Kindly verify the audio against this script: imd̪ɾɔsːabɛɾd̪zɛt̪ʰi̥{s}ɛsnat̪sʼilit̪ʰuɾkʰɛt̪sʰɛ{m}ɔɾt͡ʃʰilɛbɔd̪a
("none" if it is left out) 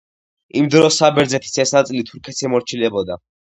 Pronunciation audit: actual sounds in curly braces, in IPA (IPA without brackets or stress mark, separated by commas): s, m